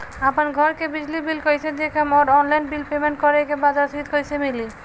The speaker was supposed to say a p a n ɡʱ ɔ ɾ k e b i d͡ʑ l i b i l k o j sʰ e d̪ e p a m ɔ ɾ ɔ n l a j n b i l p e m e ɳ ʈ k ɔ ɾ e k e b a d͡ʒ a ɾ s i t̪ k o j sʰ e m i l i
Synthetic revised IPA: a p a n ɡʱ ɔ ɾ k e b i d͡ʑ l i b i l k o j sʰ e d̪ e k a m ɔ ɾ ɔ n l a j n b i l p e m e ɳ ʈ k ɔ ɾ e k e b a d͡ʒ a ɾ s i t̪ k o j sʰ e m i l i